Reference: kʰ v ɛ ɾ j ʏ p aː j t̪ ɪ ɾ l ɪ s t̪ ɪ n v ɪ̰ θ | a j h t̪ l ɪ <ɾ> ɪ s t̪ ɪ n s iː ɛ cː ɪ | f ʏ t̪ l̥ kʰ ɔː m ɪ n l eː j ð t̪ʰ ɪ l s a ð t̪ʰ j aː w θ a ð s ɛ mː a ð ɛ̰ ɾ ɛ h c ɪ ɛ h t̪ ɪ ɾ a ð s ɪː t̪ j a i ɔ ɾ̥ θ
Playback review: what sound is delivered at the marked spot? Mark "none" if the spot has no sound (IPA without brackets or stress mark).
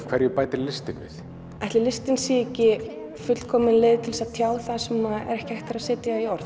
l